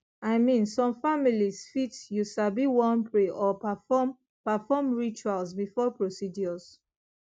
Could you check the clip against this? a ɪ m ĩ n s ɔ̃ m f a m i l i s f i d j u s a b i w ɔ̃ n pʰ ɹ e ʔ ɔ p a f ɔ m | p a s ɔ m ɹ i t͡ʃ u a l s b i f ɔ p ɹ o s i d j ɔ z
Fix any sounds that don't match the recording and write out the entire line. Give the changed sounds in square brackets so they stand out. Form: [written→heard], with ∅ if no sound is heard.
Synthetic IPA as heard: a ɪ m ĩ n s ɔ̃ m f a m i l i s f i [d→t] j u s a b i w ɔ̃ n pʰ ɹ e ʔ ɔ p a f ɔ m | p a [s→f] ɔ m ɹ i t͡ʃ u a l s b i f ɔ p ɹ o s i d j ɔ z